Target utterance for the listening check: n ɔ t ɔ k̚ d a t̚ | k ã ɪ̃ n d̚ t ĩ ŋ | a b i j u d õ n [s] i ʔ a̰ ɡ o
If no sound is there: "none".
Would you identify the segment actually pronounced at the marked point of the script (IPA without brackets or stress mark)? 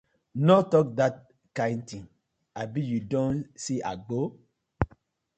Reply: s